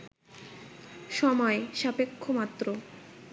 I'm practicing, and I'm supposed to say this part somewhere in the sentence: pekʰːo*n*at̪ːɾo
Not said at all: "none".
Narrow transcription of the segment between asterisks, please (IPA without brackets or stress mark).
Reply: m